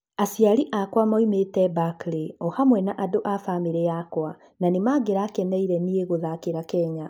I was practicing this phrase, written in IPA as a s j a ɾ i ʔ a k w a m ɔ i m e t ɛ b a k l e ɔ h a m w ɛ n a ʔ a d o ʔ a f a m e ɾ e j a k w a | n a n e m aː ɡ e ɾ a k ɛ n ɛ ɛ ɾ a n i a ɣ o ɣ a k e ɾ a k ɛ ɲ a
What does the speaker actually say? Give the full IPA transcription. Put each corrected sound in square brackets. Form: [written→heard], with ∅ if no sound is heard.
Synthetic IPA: a s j a ɾ i ʔ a k w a m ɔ i m e t ɛ b a k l e ɔ h a m w ɛ n a ʔ a d o ʔ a f a m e ɾ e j a k w a | n a n e m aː ɡ e ɾ a k ɛ n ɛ [ɛ→i] ɾ [a→ɛ] n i [a→e] ɣ o [ɣ→ð] a k e ɾ a k ɛ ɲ a